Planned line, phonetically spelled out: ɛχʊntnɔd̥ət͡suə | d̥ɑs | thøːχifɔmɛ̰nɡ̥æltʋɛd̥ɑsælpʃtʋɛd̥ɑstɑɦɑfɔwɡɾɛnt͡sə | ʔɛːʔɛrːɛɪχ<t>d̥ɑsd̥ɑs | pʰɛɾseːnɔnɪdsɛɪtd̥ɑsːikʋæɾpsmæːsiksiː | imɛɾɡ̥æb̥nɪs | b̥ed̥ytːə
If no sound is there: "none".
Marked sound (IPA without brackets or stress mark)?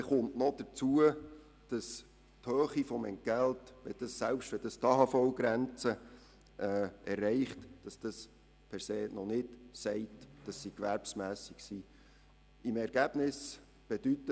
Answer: t